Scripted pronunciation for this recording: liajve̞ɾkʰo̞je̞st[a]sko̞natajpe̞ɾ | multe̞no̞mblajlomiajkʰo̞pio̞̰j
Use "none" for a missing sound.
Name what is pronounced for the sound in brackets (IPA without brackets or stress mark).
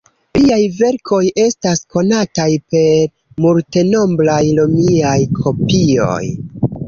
a